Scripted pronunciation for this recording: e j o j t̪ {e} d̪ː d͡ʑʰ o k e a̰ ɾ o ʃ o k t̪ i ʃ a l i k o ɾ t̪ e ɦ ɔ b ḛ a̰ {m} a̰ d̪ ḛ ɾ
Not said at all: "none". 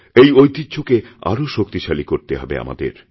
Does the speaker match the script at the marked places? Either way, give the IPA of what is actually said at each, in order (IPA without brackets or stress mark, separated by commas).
i, m